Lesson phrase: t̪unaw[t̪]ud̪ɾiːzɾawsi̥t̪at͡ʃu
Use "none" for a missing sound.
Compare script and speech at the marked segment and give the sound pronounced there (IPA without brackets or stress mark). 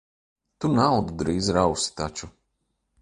d̪